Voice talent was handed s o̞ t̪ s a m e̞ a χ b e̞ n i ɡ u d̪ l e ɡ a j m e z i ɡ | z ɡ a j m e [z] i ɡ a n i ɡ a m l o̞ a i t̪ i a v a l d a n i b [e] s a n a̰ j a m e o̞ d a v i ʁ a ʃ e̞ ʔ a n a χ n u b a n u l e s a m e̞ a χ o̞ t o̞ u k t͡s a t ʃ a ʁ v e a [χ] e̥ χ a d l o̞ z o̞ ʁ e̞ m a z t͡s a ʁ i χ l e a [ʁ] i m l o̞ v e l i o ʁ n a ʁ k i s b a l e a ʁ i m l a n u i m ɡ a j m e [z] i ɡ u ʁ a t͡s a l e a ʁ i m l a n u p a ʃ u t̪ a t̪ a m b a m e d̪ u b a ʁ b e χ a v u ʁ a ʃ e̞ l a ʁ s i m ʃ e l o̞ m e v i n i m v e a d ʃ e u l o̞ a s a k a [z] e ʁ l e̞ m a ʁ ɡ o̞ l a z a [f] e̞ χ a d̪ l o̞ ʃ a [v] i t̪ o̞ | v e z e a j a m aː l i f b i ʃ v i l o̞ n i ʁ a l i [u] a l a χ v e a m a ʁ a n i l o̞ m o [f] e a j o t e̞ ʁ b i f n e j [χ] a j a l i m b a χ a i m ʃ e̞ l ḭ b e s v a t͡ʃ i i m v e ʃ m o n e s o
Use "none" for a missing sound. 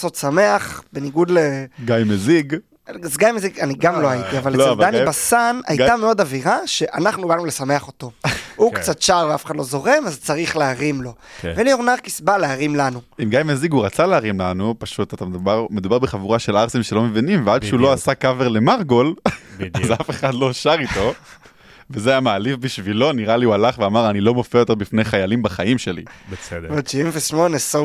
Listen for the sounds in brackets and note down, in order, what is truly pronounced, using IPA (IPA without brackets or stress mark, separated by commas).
z, a, f, ʁ, z, v, f, ʁ, u, f, χ